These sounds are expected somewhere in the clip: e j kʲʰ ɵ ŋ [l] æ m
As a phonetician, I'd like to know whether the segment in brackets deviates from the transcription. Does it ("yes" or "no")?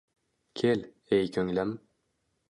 no